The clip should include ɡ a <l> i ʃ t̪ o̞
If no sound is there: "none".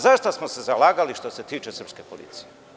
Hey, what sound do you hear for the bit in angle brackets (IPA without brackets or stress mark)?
l